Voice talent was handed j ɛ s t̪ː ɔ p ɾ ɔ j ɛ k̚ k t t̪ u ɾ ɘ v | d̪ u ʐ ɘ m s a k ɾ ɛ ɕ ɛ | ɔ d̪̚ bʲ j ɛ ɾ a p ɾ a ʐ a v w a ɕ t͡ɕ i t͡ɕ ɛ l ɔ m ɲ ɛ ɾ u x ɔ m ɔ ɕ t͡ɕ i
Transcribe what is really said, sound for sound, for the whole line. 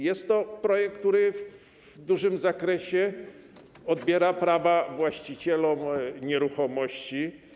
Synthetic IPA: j ɛ s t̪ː ɔ p ɾ ɔ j ɛ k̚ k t t̪ u ɾ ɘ v | d̪ u ʐ ɘ m z a k ɾ ɛ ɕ ɛ | ɔ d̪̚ bʲ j ɛ ɾ a p ɾ a v a v w a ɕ t͡ɕ i t͡ɕ ɛ l ɔ m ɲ ɛ ɾ u x ɔ m ɔ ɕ t͡ɕ i